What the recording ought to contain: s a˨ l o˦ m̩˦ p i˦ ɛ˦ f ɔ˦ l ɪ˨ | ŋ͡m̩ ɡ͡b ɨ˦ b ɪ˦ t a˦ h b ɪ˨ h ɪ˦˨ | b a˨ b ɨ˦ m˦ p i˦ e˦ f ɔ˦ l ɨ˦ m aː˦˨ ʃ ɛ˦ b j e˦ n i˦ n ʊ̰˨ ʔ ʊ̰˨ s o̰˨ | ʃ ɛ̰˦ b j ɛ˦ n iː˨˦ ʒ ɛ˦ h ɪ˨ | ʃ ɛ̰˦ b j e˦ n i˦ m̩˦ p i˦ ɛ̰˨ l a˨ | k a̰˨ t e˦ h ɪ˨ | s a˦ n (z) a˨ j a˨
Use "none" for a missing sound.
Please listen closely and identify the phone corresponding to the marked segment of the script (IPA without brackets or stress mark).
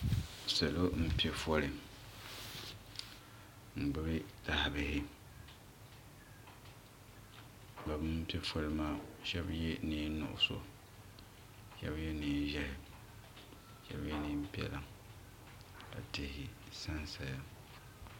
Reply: s